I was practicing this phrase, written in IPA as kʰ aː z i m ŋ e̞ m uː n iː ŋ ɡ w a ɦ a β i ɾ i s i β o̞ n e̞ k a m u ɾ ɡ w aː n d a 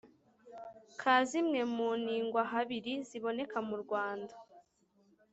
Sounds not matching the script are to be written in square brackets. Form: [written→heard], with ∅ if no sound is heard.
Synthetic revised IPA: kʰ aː z i m ŋ e̞ m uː n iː ŋ ɡ w a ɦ a β i ɾ i [s→z] i β o̞ n e̞ k a m u ɾ ɡ w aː n d a